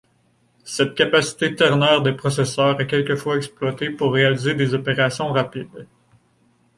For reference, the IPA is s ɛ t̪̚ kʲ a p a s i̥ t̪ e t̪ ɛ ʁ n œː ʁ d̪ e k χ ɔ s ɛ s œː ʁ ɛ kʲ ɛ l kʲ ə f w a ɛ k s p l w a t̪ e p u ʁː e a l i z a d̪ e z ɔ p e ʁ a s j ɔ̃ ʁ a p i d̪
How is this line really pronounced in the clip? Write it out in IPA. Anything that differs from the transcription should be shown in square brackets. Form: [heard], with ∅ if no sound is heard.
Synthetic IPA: s ɛ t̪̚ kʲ a p a s i̥ t̪ e t̪ ɛ ʁ n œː ʁ d̪ e [p] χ ɔ s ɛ s œː ʁ ɛ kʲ ɛ l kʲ ə f w a ɛ k s p l w a t̪ e p u ʁː e a l i z [e] d̪ e z ɔ p e ʁ a s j ɔ̃ ʁ a p i d̪